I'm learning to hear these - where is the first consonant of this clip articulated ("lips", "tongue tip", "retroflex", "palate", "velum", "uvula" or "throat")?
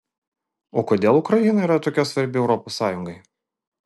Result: velum